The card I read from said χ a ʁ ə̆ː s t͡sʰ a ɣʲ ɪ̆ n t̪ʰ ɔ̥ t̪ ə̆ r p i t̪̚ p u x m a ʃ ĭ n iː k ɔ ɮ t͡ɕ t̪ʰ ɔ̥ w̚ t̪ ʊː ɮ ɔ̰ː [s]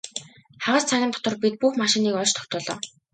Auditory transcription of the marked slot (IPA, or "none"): none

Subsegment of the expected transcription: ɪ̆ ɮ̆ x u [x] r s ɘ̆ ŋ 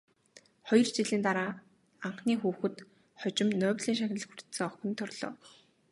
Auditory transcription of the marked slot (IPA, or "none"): none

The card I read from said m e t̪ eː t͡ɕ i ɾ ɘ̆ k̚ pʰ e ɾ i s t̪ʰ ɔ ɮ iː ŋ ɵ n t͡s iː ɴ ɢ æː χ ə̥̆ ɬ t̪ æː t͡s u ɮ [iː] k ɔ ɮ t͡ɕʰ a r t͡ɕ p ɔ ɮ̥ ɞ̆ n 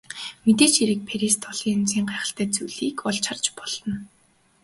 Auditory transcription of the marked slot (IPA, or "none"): iː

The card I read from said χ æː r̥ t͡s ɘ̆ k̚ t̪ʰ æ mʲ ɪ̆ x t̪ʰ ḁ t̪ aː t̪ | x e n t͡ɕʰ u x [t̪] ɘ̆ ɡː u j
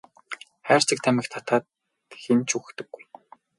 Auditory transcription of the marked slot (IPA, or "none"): t̪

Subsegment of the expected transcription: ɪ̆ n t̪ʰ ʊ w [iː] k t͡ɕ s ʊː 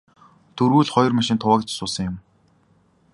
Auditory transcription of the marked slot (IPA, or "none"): aː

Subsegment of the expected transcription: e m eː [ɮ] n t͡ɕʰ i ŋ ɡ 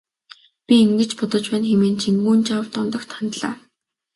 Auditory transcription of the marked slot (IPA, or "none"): none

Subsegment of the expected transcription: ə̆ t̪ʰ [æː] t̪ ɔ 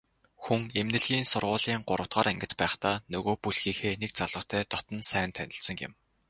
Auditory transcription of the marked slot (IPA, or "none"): æː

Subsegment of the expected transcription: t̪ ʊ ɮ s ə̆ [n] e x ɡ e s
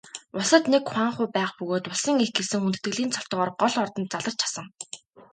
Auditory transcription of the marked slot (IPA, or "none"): ŋ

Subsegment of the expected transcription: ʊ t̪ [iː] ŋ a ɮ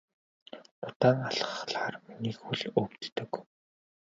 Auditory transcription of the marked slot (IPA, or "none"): aː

